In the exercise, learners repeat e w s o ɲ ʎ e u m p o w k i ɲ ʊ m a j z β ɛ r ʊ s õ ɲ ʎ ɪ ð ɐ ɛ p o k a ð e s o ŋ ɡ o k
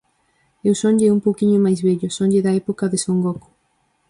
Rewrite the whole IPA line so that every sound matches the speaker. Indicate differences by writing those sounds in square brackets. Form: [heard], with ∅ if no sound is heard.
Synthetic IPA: e w s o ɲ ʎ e u m p o w k i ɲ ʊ m a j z β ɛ [ʎ] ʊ s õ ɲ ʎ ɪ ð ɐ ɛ p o k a ð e s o ŋ ɡ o k